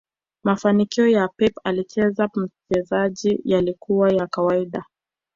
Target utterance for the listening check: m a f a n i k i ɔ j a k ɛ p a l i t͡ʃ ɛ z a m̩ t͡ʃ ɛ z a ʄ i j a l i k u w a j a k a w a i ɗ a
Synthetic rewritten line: m a f a n i k i ɔ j a p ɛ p a l i t͡ʃ ɛ z a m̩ t͡ʃ ɛ z a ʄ i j a l i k u w a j a k a w a i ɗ a